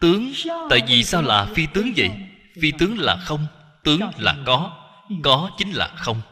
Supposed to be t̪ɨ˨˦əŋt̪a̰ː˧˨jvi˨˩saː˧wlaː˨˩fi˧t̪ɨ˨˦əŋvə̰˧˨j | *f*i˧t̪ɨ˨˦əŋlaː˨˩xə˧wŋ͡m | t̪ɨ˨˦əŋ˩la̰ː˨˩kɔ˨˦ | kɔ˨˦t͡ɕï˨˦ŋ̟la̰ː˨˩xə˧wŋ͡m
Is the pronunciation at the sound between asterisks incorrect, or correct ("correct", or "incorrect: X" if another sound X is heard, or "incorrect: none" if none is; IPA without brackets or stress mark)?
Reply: correct